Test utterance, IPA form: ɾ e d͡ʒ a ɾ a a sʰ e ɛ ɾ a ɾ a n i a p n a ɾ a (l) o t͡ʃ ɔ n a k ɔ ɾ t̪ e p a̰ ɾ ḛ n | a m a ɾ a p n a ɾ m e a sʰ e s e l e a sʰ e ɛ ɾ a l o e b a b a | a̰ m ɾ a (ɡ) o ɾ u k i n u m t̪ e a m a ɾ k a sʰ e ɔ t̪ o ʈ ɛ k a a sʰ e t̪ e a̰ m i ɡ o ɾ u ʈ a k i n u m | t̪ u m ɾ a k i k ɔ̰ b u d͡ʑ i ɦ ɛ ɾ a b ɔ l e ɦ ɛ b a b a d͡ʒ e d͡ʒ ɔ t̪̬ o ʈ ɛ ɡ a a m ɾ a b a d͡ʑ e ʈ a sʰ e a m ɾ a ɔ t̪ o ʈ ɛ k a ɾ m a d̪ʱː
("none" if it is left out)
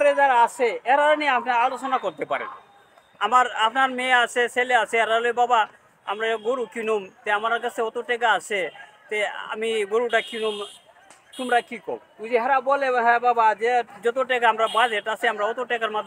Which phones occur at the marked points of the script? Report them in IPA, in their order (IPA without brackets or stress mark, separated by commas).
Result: l, ɡ